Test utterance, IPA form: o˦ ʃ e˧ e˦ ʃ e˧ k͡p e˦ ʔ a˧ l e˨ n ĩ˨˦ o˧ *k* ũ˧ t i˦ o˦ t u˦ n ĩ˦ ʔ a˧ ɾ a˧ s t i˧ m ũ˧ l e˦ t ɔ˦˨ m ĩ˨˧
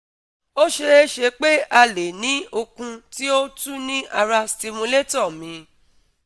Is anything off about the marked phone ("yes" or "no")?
no